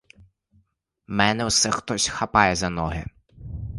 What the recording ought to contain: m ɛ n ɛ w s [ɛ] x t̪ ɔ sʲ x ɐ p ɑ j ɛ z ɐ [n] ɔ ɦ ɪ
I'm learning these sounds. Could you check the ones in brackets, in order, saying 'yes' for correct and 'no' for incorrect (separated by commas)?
yes, yes